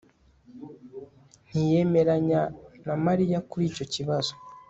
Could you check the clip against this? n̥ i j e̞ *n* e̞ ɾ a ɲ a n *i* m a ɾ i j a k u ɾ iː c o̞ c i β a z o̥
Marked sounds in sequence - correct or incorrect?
incorrect, incorrect

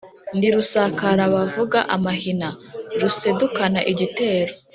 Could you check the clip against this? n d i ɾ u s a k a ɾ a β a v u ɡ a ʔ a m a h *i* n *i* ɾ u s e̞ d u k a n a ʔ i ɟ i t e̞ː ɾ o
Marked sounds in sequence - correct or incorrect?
correct, incorrect

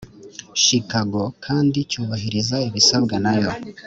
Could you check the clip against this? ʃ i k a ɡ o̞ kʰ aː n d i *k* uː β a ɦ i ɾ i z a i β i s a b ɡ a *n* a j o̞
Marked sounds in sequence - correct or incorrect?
incorrect, correct

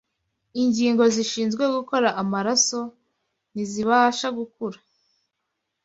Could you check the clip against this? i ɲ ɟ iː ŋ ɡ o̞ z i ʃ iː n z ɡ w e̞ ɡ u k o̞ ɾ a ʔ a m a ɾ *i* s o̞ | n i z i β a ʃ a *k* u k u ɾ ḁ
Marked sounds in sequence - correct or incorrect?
incorrect, incorrect

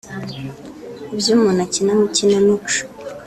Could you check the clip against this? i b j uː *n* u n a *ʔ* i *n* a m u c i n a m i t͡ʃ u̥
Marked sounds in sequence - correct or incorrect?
incorrect, incorrect, correct

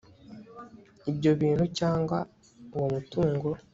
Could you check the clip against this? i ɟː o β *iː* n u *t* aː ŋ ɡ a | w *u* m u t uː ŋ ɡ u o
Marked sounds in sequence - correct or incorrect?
correct, incorrect, incorrect

